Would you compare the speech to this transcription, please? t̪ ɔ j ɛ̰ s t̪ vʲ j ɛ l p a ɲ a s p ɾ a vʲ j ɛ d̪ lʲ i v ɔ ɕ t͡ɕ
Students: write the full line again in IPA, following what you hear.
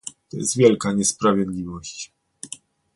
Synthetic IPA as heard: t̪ ɔ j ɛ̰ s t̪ vʲ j ɛ l k a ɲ ɛ s p ɾ a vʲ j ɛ d̪ lʲ i v ɔ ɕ t͡ɕ